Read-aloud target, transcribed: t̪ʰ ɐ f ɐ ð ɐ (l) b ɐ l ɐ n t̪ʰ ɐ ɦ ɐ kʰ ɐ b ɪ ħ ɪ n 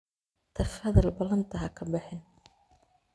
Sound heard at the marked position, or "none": l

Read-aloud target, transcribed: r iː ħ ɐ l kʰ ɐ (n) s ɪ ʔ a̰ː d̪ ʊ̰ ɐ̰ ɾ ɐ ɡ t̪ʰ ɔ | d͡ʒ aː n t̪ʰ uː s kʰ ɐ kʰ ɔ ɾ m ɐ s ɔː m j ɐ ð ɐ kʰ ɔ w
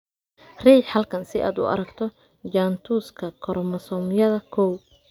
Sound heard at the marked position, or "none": n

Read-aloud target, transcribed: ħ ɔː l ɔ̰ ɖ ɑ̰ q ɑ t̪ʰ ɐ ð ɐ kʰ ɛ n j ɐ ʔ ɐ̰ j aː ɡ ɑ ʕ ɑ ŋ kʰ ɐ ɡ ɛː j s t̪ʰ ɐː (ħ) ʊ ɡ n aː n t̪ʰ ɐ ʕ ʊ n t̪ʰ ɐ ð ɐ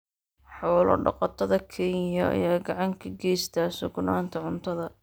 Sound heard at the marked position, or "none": s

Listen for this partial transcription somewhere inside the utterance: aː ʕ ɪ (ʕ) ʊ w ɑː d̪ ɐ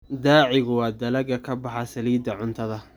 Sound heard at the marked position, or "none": ɣ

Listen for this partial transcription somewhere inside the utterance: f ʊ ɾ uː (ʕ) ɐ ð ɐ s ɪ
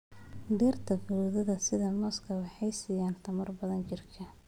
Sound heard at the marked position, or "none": ð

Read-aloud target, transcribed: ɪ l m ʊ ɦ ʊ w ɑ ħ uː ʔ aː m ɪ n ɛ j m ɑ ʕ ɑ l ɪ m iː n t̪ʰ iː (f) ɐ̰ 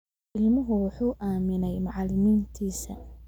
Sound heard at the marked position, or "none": s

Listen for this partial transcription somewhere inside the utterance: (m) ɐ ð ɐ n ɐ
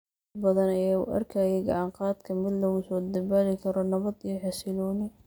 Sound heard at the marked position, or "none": b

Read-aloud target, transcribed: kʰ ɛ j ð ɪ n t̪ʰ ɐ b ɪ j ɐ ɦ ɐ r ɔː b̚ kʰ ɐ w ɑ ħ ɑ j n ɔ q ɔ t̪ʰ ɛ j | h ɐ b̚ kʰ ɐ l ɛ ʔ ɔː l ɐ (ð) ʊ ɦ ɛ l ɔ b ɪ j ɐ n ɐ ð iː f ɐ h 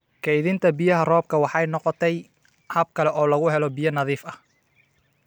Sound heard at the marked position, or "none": ɣ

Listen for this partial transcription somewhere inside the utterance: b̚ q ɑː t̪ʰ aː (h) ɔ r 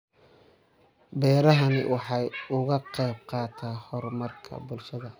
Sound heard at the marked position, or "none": h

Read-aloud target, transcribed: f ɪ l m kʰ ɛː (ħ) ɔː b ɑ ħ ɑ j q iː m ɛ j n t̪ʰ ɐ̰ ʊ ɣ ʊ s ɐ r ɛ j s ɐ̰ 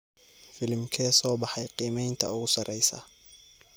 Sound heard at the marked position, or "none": s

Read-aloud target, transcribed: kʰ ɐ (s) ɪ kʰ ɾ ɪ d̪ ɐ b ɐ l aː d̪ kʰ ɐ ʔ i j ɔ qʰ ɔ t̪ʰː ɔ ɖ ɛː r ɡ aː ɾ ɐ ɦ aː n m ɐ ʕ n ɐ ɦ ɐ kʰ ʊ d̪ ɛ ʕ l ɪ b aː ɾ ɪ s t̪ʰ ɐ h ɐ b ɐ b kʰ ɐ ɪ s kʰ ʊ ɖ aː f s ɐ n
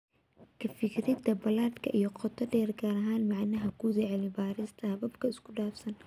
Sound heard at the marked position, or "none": f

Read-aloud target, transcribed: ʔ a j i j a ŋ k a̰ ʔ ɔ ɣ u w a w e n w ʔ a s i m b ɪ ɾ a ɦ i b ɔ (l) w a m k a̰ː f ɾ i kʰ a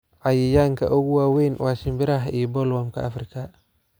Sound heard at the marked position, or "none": l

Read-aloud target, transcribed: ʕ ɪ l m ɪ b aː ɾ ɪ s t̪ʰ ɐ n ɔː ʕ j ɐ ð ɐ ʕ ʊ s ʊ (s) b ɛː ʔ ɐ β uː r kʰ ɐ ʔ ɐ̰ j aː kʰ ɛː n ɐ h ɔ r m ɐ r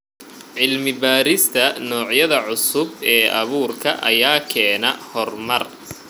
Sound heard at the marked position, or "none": none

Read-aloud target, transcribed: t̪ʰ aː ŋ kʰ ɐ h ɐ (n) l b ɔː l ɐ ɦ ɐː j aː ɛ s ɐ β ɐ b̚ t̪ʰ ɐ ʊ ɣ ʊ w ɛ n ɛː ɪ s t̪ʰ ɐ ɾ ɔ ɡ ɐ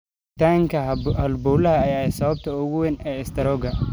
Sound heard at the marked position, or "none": none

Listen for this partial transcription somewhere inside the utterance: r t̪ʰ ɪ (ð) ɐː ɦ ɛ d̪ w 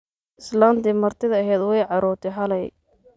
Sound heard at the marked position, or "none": ð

